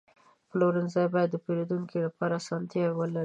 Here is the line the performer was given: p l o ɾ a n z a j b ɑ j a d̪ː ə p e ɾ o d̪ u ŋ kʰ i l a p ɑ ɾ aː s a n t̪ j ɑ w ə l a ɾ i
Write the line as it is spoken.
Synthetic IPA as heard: p l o ɾ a n z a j b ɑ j a d̪ː ə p e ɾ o d̪ u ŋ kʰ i l a p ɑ ɾ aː s ɑ n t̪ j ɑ w ə l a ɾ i